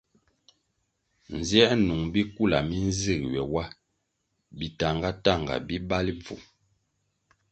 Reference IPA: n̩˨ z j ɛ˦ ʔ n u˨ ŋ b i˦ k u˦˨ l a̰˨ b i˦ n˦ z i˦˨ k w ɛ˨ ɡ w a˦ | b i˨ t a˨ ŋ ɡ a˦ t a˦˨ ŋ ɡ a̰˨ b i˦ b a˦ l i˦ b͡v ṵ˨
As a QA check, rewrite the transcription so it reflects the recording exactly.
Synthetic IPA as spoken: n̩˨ z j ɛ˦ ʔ n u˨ ŋ b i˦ k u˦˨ l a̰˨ m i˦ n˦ z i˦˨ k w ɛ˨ w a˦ | b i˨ t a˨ ŋ ɡ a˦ t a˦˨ ŋ ɡ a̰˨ b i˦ b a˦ l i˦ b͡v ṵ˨